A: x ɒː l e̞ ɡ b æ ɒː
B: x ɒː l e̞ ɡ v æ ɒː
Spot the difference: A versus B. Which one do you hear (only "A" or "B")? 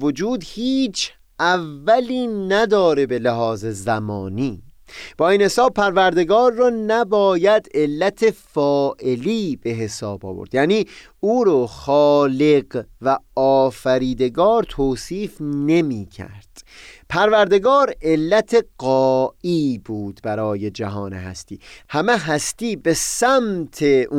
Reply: B